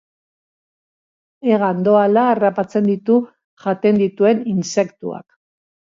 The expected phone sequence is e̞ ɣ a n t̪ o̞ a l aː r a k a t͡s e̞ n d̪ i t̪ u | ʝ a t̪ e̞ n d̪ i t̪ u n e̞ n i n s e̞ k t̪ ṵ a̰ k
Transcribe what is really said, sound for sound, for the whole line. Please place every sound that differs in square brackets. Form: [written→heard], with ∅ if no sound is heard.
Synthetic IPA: e̞ ɣ a n [t̪→d̪] o̞ a l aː r a [k→p] a t͡s e̞ n d̪ i t̪ u | ʝ a t̪ e̞ n d̪ i t̪ u [n→∅] e̞ n i n s e̞ k t̪ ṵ a̰ k